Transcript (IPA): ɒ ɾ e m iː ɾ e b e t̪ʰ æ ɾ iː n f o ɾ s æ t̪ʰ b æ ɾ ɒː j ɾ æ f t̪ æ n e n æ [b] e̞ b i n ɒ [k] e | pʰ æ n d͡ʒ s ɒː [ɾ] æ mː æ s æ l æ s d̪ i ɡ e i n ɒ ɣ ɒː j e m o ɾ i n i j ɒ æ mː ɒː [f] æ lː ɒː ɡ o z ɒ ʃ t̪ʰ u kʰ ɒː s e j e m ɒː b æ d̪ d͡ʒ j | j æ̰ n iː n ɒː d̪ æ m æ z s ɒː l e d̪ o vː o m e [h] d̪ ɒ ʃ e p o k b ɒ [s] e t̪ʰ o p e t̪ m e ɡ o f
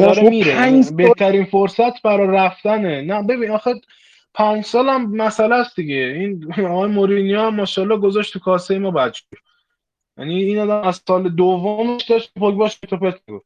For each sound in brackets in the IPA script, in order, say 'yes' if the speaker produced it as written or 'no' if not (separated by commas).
yes, no, no, no, no, no